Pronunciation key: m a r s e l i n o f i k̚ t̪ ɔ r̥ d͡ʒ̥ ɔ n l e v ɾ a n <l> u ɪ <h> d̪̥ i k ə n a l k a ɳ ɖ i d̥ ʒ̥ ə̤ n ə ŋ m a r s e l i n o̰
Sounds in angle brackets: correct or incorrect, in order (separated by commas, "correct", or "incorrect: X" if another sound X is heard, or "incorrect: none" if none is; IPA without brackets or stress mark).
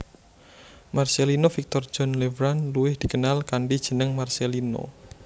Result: correct, correct